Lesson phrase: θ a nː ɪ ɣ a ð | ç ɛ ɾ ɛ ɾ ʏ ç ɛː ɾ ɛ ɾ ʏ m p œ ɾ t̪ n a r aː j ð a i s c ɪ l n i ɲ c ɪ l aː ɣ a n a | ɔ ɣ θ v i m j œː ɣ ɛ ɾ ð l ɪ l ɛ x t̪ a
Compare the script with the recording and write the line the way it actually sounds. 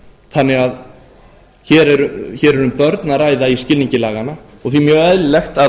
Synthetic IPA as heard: θ a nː ɪ ɣ a ð | ç ɛ ɾ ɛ ɾ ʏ ç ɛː ɾ ɛ ɾ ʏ m p œ ɾ t̪ n a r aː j ð a i s c ɪ l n i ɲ c ɪ l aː ɣ a n a | ɔ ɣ θ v i m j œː ɣ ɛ ð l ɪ l ɛ x t̪ a